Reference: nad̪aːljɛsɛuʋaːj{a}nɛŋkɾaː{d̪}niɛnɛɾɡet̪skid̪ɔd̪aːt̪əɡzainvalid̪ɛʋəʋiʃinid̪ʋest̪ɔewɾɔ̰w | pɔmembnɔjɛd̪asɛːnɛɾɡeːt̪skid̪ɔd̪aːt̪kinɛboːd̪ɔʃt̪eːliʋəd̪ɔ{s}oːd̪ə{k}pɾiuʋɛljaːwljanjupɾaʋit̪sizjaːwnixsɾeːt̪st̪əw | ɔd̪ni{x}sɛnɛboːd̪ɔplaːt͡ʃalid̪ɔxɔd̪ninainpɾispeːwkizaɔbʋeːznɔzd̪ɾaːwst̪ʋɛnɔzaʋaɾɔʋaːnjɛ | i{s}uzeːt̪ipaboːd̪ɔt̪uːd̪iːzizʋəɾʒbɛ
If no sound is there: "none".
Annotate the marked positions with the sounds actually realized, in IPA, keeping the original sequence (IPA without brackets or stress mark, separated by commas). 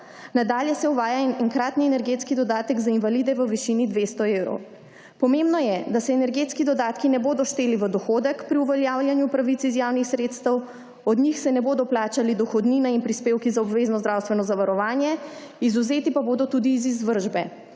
a, t̪, x, k, x, z